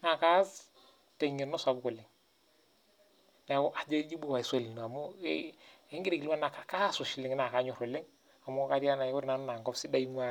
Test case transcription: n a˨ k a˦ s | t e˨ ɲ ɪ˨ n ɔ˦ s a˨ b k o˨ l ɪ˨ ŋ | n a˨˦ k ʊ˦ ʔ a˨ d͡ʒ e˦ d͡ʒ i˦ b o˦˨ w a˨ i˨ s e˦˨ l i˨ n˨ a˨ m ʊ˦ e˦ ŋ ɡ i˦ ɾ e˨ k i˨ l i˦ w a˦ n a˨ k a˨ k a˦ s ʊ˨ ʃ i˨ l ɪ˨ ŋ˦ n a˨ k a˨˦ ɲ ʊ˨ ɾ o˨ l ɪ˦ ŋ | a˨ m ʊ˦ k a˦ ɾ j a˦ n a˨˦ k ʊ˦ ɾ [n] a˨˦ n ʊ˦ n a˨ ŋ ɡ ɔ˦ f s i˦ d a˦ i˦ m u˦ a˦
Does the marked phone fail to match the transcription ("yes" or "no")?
no